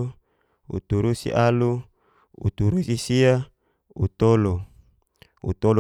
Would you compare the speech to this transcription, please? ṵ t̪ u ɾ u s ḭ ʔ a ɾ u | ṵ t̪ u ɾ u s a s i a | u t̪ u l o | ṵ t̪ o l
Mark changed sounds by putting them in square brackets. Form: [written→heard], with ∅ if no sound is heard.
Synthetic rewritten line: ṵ t̪ u ɾ u s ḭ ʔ a [ɾ→l] u | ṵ t̪ u ɾ u s [a→i] s i a | u t̪ [u→o] l o | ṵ t̪ o l